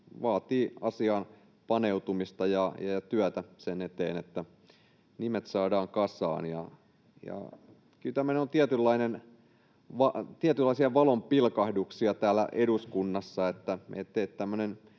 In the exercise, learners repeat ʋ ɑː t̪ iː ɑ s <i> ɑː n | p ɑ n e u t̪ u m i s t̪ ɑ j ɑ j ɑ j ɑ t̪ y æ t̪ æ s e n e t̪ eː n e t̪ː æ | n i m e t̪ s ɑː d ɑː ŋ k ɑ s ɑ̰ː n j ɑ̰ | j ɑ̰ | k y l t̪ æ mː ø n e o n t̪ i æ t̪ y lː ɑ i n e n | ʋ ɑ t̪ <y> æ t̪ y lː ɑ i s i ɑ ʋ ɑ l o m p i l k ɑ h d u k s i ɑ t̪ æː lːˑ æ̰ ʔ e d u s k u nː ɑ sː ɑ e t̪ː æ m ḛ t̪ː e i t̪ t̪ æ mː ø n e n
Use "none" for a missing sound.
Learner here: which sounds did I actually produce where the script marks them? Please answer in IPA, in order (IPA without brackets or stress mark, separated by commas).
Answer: i, i